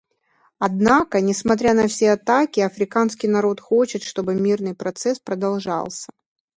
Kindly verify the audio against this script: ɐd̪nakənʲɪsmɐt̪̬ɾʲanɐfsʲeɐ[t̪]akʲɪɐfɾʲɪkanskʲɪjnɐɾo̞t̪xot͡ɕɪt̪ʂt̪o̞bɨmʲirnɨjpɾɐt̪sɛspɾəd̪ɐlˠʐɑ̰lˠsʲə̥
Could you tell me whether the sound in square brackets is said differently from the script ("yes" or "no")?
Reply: no